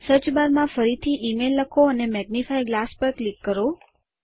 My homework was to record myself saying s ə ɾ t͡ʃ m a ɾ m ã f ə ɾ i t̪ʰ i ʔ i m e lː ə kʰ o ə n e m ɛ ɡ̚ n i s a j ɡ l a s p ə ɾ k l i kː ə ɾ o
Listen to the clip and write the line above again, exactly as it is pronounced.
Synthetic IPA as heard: s ə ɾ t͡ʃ b a ɾ m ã f ə ɾ i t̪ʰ i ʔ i m e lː ə kʰ o ə n e m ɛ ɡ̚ n i f a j ɡ l a s p ə ɾ k l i kː ə ɾ o